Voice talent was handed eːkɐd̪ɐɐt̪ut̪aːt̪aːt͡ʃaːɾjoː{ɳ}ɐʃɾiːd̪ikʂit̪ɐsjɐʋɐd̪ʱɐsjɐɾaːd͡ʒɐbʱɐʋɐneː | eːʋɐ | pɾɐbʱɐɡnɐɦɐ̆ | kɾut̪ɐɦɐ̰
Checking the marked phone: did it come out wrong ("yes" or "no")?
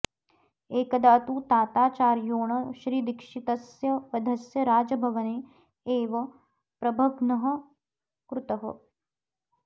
no